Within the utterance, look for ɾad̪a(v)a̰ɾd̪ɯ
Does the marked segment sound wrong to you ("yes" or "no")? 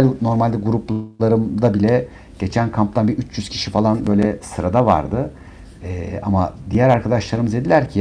no